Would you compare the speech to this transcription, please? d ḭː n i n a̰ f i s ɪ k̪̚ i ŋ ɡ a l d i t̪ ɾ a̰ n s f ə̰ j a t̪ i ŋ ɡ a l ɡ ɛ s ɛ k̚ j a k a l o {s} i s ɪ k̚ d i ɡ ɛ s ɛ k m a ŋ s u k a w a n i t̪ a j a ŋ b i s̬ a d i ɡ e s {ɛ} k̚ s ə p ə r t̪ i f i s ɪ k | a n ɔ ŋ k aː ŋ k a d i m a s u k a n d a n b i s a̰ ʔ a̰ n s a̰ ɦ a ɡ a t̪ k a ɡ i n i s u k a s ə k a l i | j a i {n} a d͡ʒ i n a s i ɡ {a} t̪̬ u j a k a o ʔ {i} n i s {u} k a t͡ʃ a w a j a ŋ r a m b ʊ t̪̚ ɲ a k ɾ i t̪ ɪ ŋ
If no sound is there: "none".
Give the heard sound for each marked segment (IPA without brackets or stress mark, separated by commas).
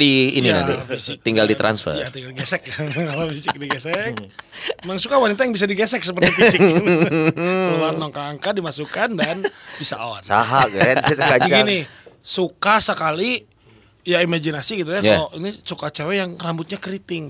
f, ɛ, m, i, i, u